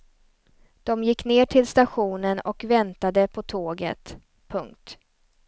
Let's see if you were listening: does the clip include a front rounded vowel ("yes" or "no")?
no